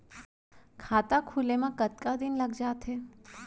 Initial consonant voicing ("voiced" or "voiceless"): voiceless